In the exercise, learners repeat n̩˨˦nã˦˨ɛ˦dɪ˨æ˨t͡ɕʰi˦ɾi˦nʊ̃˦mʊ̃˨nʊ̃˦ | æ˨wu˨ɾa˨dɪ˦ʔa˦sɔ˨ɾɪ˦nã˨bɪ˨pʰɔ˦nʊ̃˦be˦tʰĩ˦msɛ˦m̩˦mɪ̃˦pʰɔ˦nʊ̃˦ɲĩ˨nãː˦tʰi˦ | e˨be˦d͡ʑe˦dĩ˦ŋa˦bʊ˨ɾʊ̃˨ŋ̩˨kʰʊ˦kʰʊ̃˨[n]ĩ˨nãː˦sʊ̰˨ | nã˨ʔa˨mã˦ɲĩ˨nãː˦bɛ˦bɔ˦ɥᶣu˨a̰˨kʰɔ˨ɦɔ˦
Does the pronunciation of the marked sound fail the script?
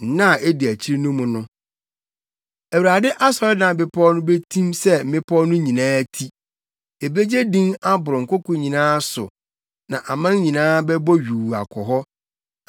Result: yes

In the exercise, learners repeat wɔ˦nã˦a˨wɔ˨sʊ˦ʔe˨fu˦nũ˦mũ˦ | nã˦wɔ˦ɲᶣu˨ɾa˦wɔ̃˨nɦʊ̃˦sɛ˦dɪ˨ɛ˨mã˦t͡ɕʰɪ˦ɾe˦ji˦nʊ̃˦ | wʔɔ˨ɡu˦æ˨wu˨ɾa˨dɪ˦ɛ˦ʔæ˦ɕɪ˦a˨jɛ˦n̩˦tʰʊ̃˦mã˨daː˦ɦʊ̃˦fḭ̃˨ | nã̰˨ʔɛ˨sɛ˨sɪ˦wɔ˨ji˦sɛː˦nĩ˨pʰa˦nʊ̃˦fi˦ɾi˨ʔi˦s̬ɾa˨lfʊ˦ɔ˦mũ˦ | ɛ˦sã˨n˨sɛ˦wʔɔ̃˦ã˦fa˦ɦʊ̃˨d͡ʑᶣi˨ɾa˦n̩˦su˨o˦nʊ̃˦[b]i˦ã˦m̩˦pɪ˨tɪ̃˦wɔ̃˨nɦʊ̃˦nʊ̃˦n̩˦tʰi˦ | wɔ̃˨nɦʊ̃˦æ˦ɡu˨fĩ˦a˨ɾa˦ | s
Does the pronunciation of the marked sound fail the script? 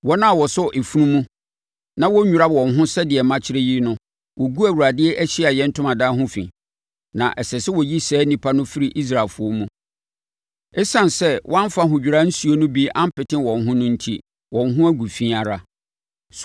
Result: no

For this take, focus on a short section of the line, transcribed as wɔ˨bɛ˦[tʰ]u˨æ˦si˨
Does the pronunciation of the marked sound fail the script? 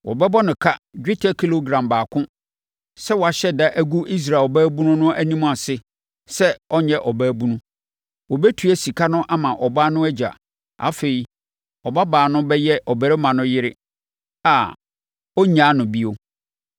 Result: no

